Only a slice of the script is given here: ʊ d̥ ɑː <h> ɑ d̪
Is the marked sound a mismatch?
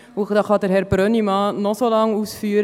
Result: yes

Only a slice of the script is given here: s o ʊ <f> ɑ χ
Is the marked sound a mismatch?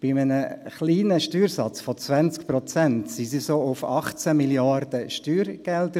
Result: no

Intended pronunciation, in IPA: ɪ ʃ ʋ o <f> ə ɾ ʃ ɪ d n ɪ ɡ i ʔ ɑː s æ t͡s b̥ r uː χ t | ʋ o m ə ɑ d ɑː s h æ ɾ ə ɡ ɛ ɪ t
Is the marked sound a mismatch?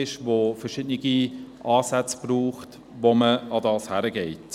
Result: no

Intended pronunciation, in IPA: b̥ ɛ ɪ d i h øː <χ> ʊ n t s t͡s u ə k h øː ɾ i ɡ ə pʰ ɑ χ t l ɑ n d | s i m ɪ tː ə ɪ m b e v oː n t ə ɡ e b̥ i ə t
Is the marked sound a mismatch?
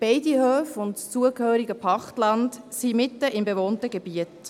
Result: yes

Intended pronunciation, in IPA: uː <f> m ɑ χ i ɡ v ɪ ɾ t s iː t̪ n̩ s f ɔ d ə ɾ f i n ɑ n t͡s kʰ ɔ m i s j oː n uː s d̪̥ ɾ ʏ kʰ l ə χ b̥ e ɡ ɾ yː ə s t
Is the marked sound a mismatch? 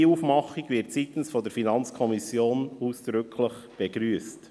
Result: no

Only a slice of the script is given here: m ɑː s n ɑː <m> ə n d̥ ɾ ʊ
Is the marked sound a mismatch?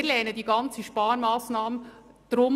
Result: no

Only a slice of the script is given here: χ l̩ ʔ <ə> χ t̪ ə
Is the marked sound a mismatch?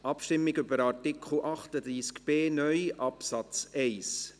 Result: yes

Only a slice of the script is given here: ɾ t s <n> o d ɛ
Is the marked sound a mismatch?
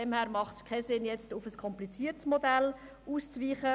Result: yes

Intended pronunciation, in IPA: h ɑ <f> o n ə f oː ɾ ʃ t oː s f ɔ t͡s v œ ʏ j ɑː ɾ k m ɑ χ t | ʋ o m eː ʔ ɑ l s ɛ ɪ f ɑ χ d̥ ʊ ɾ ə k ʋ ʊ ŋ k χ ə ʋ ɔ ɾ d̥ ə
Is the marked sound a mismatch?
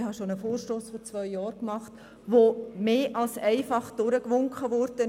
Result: yes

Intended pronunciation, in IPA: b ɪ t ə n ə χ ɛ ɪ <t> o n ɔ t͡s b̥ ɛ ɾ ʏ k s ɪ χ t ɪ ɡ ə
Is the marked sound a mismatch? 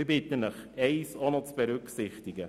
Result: yes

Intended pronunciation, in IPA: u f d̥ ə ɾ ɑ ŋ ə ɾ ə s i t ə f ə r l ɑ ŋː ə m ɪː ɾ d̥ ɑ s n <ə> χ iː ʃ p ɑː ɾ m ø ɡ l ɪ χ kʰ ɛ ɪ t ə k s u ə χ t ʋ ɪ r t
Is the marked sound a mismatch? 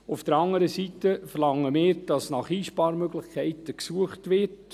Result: yes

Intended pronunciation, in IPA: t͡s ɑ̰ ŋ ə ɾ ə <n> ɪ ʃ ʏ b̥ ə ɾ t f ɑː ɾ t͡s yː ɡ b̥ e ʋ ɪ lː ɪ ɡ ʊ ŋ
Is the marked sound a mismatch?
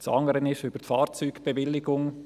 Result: no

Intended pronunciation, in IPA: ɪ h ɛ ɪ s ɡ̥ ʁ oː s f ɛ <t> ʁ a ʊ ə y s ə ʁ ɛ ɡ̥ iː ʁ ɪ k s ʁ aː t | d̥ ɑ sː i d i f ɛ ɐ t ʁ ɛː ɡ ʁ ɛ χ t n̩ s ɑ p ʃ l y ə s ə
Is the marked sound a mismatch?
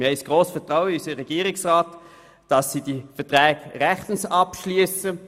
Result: no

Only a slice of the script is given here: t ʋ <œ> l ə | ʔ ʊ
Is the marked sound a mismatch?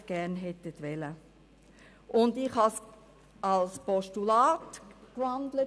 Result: yes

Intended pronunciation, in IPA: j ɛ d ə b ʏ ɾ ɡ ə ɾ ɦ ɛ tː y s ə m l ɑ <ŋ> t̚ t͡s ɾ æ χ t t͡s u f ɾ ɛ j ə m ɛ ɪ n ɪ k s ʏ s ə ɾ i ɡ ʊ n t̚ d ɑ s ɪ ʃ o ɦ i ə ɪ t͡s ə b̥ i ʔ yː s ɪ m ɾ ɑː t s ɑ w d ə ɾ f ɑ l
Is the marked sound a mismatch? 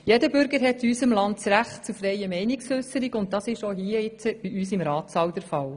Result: yes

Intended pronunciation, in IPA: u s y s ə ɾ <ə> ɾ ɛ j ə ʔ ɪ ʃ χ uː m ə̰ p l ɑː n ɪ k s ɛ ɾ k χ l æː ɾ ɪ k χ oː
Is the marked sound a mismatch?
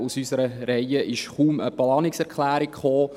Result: no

